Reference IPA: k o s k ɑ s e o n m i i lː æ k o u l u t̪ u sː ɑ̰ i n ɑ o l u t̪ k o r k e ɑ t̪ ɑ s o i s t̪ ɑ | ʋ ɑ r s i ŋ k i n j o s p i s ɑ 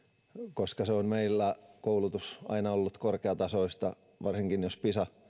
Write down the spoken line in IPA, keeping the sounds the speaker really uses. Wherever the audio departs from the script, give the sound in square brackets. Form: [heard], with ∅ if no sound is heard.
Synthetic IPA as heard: k o s k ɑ s e o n m [e] i lː æ k o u l u t̪ u [s] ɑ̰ i n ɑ o [lː] u t̪ k o r k e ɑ t̪ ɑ s o i s t̪ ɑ | ʋ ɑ r s i ŋ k i n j o s p i s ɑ

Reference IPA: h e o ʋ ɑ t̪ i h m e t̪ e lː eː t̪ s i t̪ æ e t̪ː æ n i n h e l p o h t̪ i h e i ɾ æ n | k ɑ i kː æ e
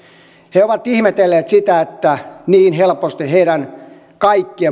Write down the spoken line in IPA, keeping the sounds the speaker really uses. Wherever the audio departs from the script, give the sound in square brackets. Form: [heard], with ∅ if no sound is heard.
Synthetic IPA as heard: h e o ʋ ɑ t̪ i h m e t̪ e lː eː t̪ s i t̪ æ e t̪ː æ n [iː] n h e l p o [s] t̪ i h e i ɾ æ n | k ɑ i kː [i] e

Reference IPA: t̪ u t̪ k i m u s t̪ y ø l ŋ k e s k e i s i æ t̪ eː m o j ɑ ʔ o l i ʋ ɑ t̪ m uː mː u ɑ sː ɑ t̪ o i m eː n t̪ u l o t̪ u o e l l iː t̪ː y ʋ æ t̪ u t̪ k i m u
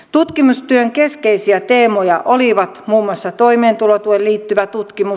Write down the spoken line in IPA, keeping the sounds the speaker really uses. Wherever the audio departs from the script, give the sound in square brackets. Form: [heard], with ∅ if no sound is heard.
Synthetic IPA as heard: t̪ u t̪ k i m u s t̪ y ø [∅] ŋ k e s k e i s i æ t̪ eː m o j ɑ ʔ o l i ʋ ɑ t̪ m uː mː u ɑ sː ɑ t̪ o i m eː n t̪ u l o t̪ u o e l l iː t̪ː y ʋ æ t̪ u t̪ k i m u

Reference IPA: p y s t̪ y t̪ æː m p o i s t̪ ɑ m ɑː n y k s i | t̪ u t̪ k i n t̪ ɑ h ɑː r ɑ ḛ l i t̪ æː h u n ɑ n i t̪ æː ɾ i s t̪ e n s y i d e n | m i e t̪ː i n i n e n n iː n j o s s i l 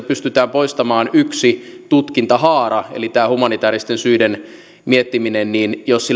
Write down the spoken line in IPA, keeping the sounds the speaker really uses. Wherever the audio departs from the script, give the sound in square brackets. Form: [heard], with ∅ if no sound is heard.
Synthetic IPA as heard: p y s t̪ y t̪ æː m p o i s t̪ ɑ m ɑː n y k s i | t̪ u t̪ k i n t̪ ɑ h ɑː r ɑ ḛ l i t̪ æː h u [m] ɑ n i t̪ æː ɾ i s t̪ e n s y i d e n | m i e t̪ː i [m] i n e n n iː n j o s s i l

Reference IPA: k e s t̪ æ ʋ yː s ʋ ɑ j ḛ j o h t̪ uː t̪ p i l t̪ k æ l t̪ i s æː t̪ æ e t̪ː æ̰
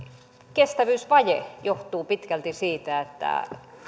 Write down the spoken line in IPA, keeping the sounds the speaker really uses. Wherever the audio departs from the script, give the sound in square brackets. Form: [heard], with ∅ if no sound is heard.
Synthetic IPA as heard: k e s t̪ æ ʋ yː s ʋ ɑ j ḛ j o h t̪ uː [∅] p i [∅] t̪ k æ l t̪ i s [iː] t̪ æ e t̪ː æ̰

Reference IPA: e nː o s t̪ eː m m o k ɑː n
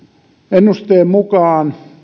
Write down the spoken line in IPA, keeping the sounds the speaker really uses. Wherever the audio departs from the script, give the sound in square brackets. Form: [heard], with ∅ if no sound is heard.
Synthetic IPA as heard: e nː [u] s t̪ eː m m [u] k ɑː n

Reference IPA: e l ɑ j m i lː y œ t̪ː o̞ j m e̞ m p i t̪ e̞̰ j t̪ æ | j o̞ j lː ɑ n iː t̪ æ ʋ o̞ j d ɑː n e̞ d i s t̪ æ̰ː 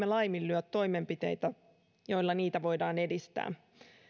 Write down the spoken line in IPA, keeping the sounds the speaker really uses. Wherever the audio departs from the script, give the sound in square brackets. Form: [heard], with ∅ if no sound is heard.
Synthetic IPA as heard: e l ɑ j m i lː y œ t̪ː o̞ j m e̞ m p i t̪ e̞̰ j t̪ æ | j o̞ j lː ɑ n iː t̪ æ ʋ o̞ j d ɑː n e̞ d i s t̪ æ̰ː

